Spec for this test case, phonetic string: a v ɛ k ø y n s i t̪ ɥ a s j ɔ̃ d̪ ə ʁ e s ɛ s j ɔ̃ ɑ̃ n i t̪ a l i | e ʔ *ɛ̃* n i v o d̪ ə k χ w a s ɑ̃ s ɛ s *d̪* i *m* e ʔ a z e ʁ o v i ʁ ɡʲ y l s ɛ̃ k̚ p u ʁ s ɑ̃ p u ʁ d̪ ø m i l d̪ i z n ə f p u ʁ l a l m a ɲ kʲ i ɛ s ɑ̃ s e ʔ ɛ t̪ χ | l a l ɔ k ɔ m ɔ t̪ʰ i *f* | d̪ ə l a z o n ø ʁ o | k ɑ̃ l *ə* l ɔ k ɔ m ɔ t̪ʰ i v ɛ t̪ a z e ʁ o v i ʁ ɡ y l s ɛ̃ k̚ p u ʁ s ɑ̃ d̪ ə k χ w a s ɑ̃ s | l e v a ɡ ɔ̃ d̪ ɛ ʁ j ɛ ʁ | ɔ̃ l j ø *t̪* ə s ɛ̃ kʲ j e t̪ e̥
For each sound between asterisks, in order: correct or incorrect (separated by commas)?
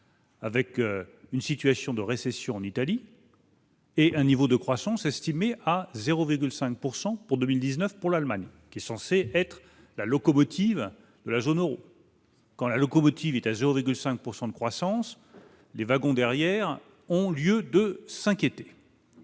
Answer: correct, incorrect, correct, incorrect, incorrect, incorrect